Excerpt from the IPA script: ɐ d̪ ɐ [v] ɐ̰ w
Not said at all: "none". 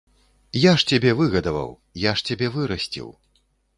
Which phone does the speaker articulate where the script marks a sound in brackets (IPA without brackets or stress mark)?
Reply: v